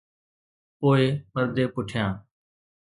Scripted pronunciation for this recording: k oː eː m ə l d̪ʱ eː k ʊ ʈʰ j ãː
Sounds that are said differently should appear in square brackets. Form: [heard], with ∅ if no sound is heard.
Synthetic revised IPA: [p] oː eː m ə [ɾ] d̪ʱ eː [p] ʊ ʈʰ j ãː